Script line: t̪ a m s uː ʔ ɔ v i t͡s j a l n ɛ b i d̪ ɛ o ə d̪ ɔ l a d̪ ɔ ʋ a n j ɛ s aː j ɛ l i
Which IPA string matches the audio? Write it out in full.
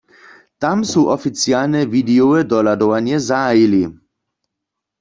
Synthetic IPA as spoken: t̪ a m s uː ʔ ɔ f i t͡s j a l n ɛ v i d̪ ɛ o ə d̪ ɔ l a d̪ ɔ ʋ a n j ɛ z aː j i l i